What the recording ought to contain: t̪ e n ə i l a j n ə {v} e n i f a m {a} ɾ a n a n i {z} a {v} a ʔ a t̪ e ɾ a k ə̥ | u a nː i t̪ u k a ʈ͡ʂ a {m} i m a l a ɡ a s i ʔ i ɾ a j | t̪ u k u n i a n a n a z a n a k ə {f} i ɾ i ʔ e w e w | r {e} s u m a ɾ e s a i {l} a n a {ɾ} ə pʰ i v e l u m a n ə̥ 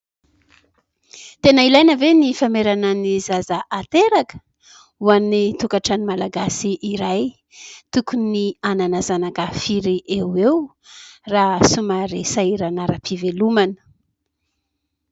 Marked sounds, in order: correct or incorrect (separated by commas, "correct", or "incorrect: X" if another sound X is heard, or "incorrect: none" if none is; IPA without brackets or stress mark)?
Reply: correct, incorrect: e, correct, incorrect: z, incorrect: n, correct, incorrect: a, incorrect: ɾ, correct